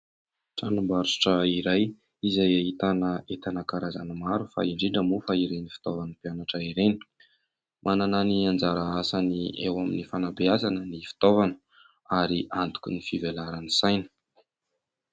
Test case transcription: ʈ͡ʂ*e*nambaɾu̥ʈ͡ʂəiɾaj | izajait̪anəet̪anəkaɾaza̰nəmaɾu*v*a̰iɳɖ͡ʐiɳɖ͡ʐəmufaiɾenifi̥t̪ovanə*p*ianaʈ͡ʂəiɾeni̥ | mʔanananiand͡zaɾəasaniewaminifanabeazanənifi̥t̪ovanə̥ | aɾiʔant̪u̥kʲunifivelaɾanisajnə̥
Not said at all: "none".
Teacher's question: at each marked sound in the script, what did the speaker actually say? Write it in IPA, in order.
a, f, p

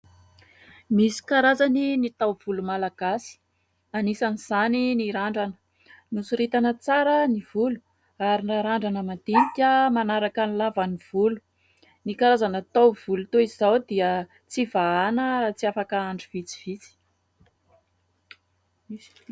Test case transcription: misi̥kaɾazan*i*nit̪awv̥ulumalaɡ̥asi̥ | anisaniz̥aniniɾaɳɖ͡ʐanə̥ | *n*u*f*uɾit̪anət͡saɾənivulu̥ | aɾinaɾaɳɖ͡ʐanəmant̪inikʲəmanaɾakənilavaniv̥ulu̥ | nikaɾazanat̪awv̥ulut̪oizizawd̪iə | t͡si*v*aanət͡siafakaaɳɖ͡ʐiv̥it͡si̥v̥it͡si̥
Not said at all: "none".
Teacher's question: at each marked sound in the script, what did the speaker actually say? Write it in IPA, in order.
i, n, s, v

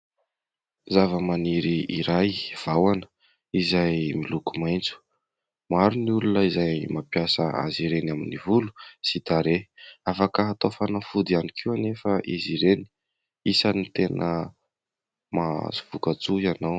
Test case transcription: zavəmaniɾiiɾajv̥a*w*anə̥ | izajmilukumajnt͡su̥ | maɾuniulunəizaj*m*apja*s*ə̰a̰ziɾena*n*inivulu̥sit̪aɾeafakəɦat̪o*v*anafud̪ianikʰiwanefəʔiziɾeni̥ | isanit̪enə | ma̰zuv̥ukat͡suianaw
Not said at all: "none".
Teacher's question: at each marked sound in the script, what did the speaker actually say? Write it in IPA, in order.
w, m, s, m, f

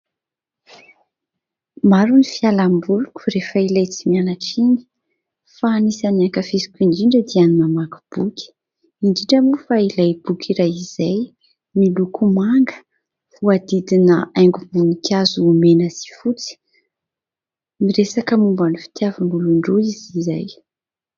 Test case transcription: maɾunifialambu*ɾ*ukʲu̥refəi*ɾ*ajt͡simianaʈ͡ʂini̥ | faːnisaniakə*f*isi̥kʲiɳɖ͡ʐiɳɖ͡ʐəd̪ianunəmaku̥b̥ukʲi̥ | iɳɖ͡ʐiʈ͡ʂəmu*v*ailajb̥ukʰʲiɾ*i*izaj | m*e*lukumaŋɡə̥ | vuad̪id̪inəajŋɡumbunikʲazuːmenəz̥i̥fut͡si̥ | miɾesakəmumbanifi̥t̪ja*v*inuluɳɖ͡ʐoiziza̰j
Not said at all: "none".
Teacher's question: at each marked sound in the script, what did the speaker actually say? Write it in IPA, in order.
l, l, f, f, a, i, v

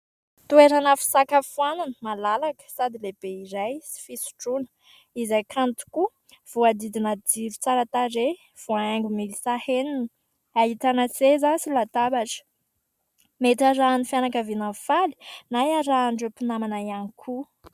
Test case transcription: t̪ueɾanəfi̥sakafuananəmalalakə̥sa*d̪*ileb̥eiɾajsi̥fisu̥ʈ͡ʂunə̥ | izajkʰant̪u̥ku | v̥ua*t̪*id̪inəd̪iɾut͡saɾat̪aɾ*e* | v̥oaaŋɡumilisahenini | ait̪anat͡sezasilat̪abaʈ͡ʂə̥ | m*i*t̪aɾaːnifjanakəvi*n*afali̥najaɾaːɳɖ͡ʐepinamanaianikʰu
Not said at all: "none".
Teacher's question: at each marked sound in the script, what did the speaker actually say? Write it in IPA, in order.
d̪, d̪, e, e, n

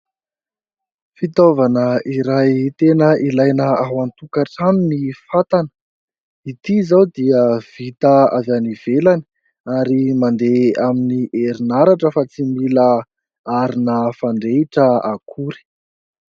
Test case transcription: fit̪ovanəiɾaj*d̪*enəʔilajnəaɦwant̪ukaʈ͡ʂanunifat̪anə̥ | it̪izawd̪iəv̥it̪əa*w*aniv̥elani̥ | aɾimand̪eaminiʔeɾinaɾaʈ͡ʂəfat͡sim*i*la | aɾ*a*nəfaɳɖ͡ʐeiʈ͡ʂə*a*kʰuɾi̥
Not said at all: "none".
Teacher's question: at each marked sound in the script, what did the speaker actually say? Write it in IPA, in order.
t̪, v, i, i, a

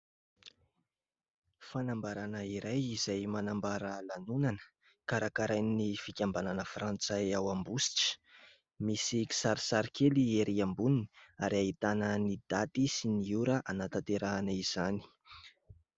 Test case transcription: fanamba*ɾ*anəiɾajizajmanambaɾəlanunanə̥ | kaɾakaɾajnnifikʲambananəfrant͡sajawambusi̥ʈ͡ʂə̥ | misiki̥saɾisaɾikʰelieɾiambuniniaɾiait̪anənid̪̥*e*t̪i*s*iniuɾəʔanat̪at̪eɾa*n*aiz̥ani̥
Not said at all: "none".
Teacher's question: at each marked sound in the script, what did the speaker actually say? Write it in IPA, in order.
ɾ, a, s, n

